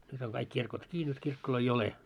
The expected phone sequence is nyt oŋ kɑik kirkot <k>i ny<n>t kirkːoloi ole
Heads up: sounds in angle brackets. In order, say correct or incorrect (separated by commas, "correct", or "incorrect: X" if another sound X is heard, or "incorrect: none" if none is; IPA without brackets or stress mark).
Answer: correct, incorrect: none